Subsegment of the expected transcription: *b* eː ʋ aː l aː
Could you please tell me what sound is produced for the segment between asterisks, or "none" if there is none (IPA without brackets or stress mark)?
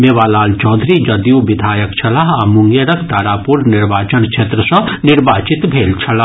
m